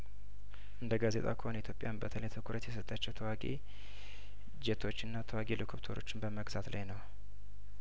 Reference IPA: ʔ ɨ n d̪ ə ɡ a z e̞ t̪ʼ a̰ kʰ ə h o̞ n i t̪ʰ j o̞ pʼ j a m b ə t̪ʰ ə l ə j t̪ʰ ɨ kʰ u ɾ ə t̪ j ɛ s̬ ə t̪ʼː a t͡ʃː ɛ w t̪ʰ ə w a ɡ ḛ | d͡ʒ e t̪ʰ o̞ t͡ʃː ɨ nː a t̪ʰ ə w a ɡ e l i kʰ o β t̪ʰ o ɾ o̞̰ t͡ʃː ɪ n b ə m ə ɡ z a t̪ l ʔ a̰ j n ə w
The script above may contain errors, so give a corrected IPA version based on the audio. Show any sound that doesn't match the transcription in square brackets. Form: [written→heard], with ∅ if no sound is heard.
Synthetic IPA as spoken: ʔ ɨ n d̪ ə ɡ a z e̞ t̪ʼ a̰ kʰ ə h o̞ n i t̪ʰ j o̞ pʼ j a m b ə t̪ʰ ə l ə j t̪ʰ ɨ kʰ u ɾ ə t̪ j ɛ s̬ ə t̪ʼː a t͡ʃː ɛ w t̪ʰ ə w a ɡ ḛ | d͡ʒ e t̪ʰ o̞ t͡ʃː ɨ nː a t̪ʰ ə w a ɡ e l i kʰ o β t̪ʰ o ɾ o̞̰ t͡ʃː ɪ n b ə m ə ɡ z a t̪ l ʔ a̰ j n ə w